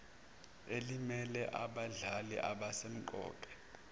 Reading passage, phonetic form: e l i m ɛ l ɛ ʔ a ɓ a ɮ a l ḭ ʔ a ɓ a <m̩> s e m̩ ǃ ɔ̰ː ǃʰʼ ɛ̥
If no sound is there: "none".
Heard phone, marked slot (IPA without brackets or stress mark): none